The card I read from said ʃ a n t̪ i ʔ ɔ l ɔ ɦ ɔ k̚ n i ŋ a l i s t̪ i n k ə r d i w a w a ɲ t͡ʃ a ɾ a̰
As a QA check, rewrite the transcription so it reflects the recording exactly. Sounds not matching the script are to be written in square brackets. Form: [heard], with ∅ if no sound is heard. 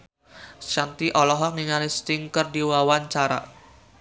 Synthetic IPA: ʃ a n t̪ i ʔ ɔ l ɔ ɦ ɔ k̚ n i ŋ a l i s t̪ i [ŋ] k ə r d i w a w a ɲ t͡ʃ a ɾ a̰